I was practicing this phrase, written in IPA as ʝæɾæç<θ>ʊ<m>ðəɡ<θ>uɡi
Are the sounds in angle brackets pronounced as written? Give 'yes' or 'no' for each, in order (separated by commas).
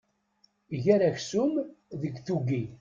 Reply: no, yes, yes